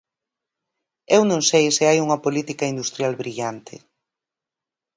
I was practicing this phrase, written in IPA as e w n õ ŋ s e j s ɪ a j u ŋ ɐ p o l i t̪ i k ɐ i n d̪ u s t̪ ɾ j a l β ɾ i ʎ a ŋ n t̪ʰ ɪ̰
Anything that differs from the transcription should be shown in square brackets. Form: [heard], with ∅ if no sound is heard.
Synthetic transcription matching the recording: e w n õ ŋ s e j s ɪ a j u ŋ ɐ p o l i t̪ i k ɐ i n d̪ u s t̪ ɾ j a l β ɾ i ʎ a [∅] n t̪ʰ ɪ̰